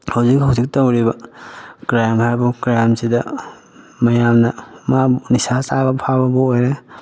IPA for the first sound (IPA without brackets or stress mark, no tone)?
h